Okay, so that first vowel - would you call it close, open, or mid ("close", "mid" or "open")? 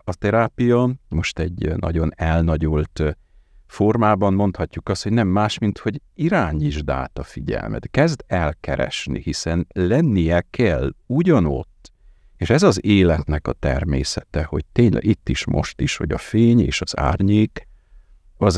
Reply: open